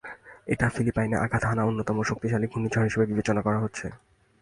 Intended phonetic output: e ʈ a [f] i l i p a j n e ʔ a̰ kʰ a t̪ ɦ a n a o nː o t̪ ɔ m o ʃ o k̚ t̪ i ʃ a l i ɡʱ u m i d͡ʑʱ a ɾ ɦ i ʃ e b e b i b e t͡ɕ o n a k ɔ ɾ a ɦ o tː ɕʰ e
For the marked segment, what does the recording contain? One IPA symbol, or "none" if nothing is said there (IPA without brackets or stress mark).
f